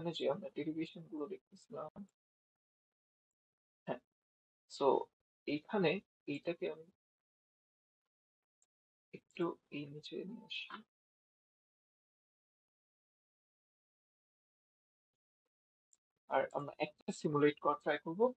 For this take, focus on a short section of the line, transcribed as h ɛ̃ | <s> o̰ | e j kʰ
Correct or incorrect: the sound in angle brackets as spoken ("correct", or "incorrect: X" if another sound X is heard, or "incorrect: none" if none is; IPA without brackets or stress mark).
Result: correct